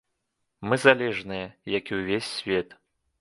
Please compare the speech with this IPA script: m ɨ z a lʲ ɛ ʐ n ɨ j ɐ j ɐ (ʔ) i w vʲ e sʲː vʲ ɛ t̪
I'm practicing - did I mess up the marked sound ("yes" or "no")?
yes